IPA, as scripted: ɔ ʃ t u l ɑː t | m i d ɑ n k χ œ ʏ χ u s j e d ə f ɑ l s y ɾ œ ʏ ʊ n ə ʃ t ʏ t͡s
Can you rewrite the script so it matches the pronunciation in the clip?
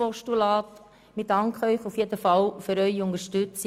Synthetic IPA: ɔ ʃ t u l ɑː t | m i d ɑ ŋ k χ œ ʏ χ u f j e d ə f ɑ l f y ɾ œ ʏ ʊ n ə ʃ t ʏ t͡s